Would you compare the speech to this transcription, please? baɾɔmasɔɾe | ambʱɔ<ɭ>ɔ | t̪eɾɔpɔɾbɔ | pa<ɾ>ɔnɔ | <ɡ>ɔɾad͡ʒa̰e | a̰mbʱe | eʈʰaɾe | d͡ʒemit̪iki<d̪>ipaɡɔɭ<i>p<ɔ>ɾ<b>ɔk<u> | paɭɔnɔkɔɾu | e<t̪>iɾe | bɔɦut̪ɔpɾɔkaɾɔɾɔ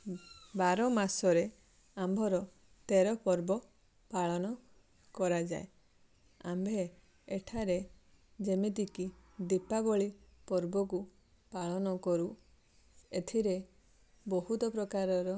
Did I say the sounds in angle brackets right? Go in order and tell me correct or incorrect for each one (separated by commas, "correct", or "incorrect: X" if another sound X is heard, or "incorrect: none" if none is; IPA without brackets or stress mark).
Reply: incorrect: ɾ, incorrect: ɭ, incorrect: k, correct, correct, correct, correct, correct, incorrect: t̪ʰ